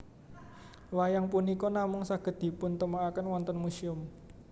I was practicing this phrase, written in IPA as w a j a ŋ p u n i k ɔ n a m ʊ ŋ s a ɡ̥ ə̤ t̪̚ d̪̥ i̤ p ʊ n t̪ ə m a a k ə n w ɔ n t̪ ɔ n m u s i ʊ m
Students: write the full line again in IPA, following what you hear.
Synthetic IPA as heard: w a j a ŋ p u n i k ɔ n a m ʊ ŋ s a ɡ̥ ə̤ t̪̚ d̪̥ i̤ p ʊ n t̪ ə m a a k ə n w ɔ n t̪ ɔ n m u s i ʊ m